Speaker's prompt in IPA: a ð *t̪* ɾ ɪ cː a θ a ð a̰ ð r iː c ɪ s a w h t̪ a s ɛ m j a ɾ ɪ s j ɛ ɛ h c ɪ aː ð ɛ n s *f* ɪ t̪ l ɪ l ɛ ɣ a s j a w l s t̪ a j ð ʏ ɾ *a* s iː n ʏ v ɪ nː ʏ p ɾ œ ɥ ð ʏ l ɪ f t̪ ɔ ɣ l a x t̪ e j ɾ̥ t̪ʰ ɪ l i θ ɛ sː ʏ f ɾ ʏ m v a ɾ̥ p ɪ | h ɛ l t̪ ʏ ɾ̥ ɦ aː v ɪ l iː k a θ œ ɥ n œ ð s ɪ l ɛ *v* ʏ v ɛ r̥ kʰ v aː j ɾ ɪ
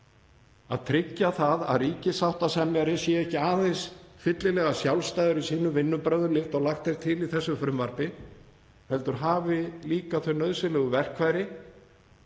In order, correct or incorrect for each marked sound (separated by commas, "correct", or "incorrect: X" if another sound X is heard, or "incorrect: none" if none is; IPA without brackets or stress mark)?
incorrect: t̪ʰ, correct, incorrect: i, incorrect: ɣ